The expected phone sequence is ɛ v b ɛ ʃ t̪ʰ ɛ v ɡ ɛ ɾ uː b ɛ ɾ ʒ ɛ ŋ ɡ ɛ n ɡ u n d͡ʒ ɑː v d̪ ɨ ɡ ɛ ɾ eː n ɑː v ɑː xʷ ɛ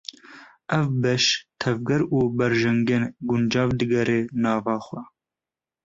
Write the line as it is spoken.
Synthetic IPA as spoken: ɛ v b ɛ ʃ t̪ʰ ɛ v ɡ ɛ ɾ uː b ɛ ɾ ʒ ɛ ŋ ɡ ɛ n ɡ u n d͡ʒ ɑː v d̪ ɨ ɡ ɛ ɾ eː n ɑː v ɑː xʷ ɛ